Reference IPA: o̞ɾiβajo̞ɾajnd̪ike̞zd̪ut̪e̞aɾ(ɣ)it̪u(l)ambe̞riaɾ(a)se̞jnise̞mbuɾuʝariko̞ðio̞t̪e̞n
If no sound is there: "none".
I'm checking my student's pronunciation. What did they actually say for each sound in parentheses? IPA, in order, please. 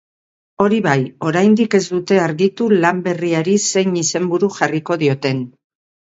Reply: ɣ, l, i

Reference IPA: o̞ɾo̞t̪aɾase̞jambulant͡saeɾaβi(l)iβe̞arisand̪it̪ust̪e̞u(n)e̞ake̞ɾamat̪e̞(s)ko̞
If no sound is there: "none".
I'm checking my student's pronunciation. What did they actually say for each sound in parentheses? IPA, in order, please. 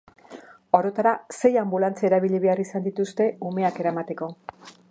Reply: ʎ, m, none

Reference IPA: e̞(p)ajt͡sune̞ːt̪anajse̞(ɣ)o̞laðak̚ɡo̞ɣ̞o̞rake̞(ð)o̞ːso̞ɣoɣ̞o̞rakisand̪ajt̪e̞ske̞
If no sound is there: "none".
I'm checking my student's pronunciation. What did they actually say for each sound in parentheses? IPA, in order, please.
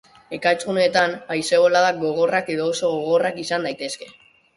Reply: k, ɣ, ð

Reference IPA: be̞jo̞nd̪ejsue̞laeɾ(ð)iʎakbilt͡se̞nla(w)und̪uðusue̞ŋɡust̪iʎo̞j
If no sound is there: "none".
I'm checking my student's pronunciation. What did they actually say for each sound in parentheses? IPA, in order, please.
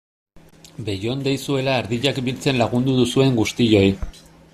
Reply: ð, ɣ

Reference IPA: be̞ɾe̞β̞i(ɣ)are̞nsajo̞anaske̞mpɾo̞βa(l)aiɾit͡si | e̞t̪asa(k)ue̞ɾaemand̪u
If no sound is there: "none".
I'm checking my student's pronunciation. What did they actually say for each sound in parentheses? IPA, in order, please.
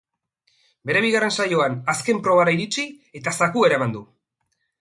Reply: ɣ, ɾ, k

